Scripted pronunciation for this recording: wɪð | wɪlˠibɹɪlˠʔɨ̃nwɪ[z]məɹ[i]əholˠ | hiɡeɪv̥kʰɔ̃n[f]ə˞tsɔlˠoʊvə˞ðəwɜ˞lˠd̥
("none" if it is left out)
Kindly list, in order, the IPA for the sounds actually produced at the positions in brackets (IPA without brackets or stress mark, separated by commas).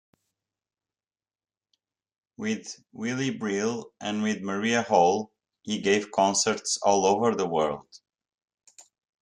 ð, i, s